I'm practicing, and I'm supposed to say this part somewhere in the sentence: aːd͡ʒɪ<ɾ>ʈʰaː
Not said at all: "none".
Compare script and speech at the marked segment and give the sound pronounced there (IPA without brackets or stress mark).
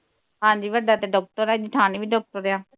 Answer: none